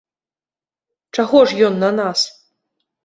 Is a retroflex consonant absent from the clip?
no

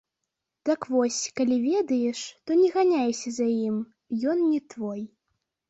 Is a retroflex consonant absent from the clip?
no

